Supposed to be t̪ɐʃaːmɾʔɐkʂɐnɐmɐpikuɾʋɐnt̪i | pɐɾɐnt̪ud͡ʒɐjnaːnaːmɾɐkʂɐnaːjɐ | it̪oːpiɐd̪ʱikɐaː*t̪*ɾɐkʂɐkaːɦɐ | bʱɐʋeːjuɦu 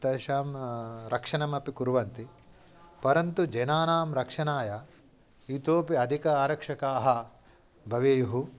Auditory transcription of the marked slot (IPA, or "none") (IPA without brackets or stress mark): none